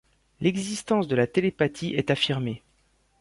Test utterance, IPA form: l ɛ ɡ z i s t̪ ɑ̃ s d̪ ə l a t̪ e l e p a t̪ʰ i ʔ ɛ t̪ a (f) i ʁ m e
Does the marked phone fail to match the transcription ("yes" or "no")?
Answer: no